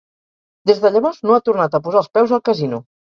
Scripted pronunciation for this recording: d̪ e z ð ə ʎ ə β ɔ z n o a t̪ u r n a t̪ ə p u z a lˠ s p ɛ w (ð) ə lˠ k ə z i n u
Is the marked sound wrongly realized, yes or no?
yes